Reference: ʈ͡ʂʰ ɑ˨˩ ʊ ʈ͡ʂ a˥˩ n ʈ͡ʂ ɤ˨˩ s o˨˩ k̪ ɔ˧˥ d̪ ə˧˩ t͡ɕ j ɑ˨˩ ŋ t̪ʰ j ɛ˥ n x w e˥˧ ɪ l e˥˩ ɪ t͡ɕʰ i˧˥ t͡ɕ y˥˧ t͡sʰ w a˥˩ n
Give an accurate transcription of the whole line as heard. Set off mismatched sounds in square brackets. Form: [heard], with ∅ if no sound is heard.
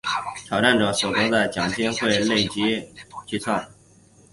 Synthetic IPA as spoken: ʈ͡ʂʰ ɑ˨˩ ʊ ʈ͡ʂ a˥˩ n ʈ͡ʂ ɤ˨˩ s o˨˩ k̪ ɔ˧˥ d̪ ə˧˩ t͡ɕ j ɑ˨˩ ŋ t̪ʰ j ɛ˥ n x w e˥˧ ɪ l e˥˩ ɪ [t͡ɕ] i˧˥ t͡ɕ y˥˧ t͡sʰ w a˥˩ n